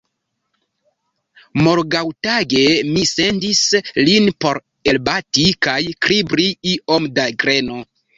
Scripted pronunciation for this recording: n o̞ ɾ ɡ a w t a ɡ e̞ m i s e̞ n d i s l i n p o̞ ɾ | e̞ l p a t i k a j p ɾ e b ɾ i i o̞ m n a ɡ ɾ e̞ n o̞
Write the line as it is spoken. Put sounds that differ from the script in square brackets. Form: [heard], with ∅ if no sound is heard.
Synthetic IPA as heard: [m] o̞ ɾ ɡ a w t a ɡ e̞ m i s e̞ n d i s l i n p o̞ ɾ | e̞ l [b] a t i k a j [k] ɾ [i] b ɾ i i o̞ m [d] a ɡ ɾ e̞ n o̞